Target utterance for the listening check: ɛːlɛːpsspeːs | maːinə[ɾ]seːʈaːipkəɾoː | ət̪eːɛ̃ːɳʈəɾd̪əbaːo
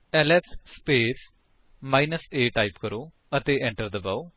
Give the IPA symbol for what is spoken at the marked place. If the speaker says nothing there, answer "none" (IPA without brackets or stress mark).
none